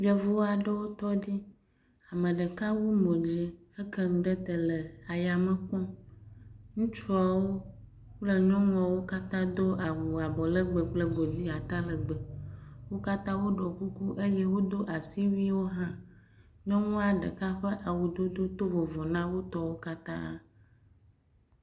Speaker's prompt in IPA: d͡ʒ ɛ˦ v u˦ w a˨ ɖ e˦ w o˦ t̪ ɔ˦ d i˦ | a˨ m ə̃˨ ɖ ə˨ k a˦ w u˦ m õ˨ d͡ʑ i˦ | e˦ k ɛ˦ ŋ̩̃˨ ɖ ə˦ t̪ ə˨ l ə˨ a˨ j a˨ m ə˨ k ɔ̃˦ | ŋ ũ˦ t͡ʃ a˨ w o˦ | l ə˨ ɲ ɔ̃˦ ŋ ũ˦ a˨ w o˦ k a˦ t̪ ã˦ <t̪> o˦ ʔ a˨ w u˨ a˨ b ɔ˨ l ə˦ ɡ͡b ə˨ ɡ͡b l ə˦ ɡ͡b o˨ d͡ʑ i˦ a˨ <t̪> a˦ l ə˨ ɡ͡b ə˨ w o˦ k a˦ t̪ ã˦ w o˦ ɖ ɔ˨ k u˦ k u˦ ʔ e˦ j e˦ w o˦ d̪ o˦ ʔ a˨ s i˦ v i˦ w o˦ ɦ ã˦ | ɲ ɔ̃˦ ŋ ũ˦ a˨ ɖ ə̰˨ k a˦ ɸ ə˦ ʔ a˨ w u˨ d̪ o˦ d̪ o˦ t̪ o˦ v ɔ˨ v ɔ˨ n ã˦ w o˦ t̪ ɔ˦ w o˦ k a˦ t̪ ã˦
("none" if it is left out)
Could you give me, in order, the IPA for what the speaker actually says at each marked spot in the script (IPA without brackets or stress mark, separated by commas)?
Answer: d̪, t̪